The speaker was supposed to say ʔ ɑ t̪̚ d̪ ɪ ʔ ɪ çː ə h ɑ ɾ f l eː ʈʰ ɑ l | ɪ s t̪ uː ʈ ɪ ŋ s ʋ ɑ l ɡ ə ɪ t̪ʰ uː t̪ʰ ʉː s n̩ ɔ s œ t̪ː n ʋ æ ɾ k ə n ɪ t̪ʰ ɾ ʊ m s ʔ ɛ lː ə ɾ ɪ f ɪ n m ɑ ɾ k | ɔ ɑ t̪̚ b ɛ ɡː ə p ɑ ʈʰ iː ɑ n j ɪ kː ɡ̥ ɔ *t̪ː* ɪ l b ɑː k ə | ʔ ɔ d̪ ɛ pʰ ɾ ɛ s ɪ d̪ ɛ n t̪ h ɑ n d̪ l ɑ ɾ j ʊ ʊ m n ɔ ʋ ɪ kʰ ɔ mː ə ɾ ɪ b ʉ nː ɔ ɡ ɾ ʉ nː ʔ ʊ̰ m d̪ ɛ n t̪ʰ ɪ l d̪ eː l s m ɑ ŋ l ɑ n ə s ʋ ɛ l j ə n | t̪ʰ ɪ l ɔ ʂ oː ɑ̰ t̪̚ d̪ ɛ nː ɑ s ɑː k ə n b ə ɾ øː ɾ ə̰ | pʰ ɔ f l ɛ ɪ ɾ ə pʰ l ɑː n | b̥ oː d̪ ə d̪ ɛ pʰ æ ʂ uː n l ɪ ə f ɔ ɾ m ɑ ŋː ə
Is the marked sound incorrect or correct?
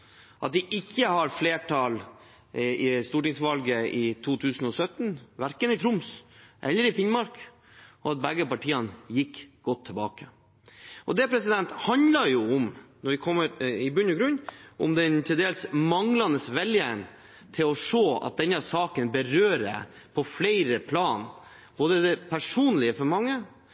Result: incorrect: t̪ʰː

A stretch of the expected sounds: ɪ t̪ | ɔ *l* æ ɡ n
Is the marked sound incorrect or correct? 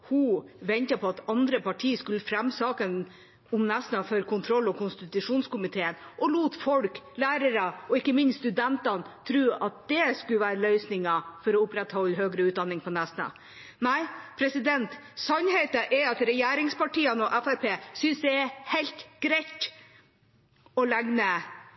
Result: correct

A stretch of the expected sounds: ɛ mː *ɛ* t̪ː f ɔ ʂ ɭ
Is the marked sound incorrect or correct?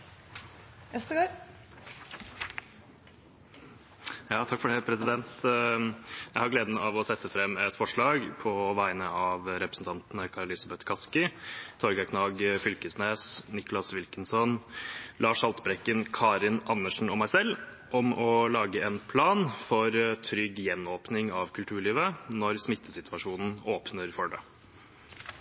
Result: correct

